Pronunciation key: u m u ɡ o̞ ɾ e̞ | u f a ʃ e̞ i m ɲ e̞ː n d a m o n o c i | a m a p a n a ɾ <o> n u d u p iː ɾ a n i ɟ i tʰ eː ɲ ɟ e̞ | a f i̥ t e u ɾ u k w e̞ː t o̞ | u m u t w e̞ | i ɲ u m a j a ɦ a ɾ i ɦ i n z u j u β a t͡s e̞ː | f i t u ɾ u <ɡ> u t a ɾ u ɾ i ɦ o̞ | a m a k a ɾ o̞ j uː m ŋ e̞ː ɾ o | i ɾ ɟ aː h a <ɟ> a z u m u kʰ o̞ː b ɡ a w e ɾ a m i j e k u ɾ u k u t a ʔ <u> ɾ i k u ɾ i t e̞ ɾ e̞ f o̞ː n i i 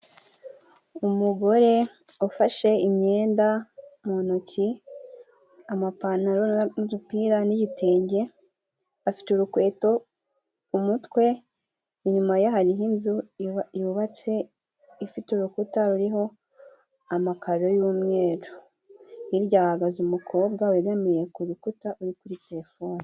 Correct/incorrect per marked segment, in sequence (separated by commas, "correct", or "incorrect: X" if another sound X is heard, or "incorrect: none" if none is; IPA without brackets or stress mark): correct, incorrect: k, incorrect: ɡ, correct